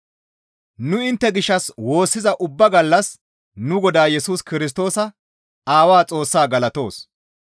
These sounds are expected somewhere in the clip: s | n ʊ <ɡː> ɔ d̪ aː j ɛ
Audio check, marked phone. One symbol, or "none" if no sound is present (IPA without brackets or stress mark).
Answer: ɡ